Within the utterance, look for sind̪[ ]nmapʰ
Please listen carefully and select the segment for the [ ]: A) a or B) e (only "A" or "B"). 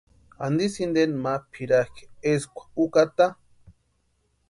B